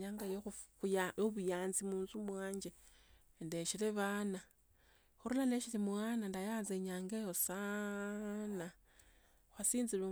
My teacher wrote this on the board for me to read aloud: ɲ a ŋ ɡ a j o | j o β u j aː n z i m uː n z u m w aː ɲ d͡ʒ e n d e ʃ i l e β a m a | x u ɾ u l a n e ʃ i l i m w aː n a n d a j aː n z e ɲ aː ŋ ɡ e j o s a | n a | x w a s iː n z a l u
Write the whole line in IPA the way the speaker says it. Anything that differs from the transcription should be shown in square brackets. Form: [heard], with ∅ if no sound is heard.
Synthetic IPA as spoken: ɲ a ŋ ɡ a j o | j o β u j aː n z i m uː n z u m w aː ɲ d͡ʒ e n d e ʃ i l e β a [n] a | x u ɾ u l a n e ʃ i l i m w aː n a n d a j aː n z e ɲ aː ŋ ɡ e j o s a | n a | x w a s iː n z [i] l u